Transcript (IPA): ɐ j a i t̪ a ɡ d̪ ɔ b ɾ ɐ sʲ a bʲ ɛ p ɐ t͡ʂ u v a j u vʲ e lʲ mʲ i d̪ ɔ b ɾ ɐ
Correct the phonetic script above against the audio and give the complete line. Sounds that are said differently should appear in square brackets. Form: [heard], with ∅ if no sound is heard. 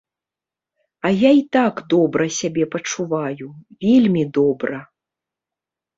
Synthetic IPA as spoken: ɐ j a i t̪ a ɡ d̪ ɔ b ɾ ɐ sʲ a bʲ ɛ p ɐ t͡ʂ u v a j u vʲ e lʲ mʲ i d̪ ɔ b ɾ ɐ